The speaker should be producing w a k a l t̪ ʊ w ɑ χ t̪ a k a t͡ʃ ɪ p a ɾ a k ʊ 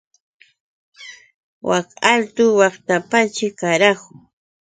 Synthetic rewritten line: w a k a l t̪ ʊ w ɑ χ t̪ a p a t͡ʃ ɪ k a ɾ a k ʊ